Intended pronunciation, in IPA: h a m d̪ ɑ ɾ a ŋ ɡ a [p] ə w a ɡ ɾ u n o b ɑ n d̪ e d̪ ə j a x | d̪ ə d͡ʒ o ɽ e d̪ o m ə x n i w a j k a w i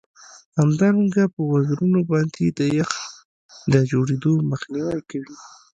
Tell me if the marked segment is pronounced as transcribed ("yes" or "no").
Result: yes